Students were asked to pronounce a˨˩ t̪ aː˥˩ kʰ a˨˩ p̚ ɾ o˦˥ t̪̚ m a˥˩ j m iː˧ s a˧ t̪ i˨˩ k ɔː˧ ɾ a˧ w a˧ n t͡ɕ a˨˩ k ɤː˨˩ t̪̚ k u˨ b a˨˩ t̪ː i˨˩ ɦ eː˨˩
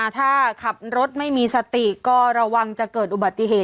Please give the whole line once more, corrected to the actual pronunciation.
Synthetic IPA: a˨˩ t̪ʰ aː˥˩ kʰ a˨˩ p̚ ɾ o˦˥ t̪̚ m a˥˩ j m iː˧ s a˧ t̪ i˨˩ k ɔː˥˩ ɾ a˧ w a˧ ŋ t͡ɕ a˨˩ k ɤː˨˩ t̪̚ ʔ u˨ b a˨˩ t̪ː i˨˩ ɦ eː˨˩